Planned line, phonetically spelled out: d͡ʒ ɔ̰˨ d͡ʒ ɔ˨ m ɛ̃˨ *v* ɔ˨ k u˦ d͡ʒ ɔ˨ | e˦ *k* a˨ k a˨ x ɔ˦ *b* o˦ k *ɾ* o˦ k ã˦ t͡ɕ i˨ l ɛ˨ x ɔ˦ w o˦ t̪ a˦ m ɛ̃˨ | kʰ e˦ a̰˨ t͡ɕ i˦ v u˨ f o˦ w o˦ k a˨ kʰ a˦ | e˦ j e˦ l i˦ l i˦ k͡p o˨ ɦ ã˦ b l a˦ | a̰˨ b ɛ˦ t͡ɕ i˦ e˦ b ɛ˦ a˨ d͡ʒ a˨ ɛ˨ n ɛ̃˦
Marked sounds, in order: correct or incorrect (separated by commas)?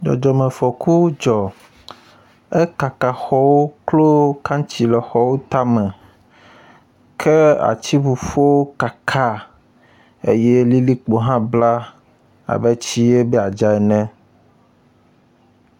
incorrect, correct, incorrect, incorrect